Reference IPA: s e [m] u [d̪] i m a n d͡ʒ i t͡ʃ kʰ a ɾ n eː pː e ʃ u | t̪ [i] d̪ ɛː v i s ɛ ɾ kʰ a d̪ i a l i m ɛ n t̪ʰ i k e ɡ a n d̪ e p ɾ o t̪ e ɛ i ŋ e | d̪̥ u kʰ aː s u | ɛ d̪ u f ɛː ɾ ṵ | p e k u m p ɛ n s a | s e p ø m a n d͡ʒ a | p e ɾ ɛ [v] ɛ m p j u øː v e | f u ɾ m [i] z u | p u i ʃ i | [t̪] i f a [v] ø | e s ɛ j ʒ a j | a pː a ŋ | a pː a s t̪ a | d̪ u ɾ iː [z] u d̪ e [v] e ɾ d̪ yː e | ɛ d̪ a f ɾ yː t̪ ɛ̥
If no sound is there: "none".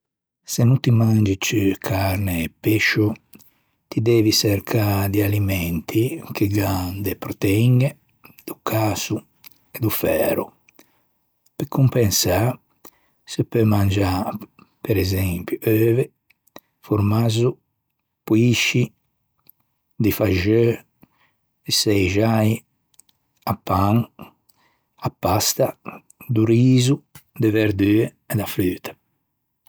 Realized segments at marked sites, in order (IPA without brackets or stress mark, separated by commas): n, t̪, i, z, a, d̪, ʒ, z, v